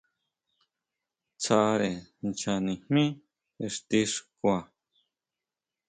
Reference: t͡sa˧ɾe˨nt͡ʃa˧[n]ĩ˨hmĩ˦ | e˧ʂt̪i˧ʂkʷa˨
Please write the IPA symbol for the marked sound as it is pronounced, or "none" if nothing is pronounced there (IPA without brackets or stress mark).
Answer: n